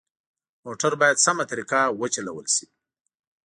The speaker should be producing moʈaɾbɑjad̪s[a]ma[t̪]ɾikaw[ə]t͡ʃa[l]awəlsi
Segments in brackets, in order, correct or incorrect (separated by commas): correct, correct, correct, correct